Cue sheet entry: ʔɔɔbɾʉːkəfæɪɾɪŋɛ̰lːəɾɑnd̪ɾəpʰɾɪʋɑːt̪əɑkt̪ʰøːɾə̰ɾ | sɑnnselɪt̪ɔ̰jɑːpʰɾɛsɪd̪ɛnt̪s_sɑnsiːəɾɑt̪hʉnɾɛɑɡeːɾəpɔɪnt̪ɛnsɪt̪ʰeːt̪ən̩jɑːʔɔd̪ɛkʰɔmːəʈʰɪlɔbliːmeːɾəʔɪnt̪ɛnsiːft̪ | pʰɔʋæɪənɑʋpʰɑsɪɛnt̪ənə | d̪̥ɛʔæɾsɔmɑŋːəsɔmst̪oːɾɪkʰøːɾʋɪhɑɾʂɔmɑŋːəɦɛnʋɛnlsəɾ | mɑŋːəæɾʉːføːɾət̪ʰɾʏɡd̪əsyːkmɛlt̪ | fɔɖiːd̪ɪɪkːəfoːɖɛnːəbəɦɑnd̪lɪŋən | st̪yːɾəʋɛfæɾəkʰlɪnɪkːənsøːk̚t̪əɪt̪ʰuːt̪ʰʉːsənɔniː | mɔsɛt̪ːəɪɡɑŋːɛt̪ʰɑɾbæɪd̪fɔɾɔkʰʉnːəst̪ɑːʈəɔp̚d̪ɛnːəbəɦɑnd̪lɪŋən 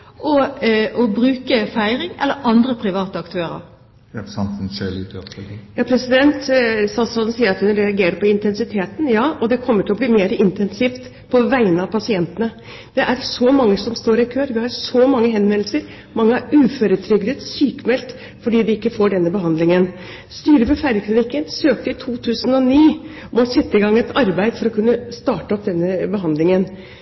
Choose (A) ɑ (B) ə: A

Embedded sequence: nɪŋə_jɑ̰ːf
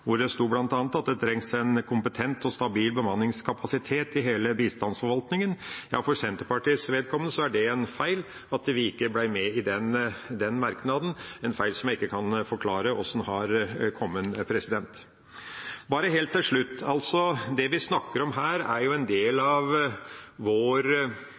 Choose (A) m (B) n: B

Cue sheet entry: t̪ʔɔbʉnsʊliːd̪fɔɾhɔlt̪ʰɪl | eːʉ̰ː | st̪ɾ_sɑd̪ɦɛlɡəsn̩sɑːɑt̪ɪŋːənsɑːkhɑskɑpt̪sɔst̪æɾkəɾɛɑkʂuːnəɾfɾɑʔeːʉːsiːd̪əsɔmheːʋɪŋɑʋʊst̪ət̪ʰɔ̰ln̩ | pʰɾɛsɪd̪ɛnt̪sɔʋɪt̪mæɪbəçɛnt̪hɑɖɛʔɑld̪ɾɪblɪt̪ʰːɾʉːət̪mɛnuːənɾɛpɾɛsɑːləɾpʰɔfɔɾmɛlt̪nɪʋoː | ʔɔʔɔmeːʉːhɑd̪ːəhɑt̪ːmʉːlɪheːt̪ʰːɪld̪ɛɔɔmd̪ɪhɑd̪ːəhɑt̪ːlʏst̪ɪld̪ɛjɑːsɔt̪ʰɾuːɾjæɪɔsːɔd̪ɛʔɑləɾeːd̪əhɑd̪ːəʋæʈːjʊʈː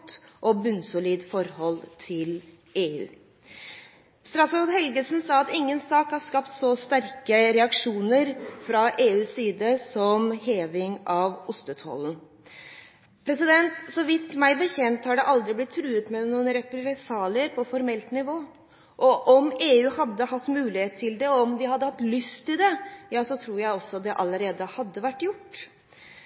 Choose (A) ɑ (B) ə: A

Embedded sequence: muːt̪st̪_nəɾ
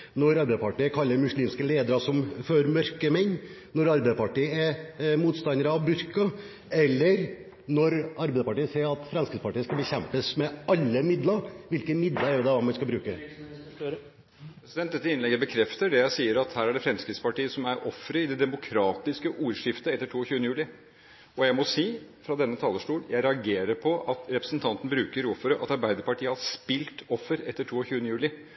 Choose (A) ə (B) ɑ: B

